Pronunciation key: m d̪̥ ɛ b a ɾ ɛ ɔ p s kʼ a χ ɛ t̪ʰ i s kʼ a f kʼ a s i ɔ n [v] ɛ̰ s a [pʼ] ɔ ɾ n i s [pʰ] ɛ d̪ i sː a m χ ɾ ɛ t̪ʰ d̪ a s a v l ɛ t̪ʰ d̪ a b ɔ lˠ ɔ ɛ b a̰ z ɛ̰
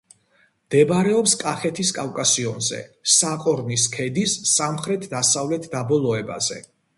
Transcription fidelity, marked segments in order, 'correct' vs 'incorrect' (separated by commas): incorrect, incorrect, incorrect